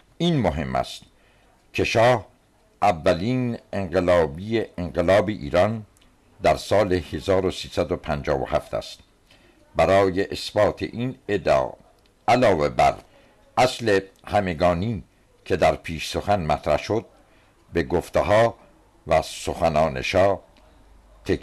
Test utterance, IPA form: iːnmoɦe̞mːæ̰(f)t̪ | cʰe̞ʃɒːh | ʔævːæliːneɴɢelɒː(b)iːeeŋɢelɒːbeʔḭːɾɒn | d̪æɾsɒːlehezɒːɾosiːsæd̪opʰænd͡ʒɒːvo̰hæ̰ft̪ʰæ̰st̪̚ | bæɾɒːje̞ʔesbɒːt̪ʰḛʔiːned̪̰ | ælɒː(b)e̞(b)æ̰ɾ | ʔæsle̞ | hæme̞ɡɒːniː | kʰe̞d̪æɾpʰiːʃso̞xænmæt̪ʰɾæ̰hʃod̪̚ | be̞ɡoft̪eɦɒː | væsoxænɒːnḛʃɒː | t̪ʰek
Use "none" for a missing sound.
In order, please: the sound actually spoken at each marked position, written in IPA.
s, b, v, b

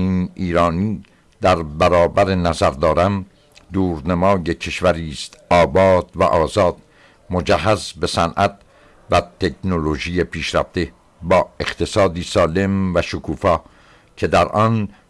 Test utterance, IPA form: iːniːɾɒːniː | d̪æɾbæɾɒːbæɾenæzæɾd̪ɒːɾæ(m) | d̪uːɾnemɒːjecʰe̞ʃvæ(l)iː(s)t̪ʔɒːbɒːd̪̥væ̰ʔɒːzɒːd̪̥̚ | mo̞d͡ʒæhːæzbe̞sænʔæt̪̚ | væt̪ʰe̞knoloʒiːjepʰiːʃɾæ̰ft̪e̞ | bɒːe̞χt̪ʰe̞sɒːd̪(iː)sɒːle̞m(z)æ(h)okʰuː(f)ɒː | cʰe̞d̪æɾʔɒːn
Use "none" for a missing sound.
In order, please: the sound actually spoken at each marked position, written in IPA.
m, ɾ, s, iː, v, ʃ, f

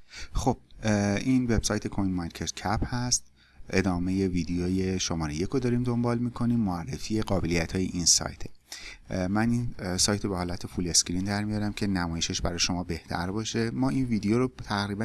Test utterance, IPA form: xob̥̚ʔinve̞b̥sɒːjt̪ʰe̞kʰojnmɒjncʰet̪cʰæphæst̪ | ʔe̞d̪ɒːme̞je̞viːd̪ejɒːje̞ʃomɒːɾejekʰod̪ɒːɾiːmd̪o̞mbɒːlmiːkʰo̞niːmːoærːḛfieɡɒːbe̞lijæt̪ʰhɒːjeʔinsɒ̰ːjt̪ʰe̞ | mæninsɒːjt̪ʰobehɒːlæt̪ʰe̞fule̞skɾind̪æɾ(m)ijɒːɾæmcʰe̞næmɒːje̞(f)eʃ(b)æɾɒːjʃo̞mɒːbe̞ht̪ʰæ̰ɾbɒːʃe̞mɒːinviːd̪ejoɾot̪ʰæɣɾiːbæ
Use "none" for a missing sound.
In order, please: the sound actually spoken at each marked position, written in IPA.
m, ʃ, b

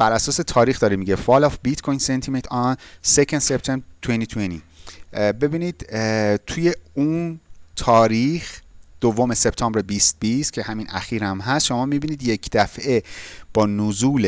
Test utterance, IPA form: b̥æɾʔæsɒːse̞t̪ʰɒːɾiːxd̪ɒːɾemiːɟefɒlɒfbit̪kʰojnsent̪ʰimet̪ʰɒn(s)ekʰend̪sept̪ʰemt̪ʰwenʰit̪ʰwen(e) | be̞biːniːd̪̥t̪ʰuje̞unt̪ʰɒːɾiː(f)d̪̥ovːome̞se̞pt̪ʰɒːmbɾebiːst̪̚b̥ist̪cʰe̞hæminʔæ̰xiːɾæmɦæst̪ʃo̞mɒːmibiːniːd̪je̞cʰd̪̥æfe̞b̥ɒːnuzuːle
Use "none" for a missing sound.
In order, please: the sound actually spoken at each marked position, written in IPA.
s, i, x

